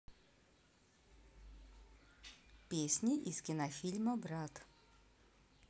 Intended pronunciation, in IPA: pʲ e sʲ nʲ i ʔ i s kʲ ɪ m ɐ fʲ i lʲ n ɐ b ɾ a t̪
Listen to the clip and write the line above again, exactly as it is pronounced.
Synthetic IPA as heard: pʲ e sʲ nʲ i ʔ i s kʲ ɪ n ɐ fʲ i lʲ m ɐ b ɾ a t̪

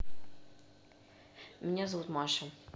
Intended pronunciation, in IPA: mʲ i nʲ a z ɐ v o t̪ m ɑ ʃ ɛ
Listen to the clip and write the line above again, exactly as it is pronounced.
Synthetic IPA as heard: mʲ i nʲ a z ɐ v u t̪ m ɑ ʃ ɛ

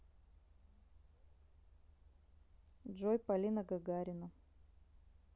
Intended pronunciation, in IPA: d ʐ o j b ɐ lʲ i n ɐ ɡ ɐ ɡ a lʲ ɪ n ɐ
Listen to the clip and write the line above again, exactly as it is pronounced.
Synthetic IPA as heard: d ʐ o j p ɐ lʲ i n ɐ ɡ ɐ ɡ a ɾʲ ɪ n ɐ

